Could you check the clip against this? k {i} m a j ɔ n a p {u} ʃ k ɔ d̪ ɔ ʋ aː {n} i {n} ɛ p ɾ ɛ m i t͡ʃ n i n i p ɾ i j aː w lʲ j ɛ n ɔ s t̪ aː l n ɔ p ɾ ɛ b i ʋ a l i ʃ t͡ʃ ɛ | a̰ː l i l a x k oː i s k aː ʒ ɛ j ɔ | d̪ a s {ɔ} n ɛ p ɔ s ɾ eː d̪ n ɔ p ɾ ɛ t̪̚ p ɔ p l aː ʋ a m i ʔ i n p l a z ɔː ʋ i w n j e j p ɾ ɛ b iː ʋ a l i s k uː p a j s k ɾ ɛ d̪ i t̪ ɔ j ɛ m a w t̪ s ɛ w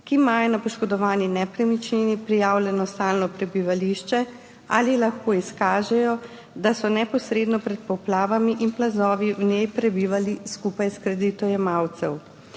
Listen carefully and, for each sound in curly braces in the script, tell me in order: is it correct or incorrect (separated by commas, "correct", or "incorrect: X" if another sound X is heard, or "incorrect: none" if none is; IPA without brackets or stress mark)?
correct, incorrect: ɔ, correct, correct, correct